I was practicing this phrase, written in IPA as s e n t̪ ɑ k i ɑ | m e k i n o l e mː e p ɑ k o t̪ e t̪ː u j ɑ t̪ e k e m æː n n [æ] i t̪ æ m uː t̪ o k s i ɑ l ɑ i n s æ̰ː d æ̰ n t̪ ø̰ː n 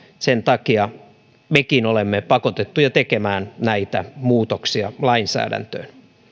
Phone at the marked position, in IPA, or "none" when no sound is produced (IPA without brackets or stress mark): æ